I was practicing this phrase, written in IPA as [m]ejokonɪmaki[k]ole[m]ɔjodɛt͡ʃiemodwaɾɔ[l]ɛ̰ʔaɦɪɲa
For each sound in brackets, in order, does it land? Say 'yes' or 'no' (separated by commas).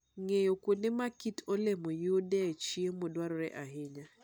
no, no, yes, no